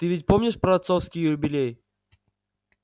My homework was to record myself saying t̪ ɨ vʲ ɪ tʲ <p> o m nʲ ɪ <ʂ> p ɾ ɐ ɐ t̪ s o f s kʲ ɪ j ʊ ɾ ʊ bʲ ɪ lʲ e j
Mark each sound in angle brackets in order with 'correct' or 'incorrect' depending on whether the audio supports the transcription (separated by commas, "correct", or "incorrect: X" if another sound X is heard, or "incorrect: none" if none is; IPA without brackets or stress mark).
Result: correct, correct